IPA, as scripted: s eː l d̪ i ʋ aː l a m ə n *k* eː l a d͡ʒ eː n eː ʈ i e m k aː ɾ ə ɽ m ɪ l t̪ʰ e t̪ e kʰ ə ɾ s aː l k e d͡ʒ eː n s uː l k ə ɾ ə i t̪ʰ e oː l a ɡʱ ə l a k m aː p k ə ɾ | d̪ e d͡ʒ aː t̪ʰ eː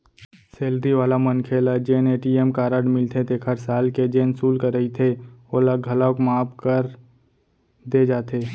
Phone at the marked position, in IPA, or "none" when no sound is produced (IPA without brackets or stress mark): kʰ